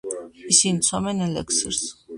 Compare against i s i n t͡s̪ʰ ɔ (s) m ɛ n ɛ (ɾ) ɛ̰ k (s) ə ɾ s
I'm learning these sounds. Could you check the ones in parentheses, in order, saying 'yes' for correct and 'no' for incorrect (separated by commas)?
no, no, yes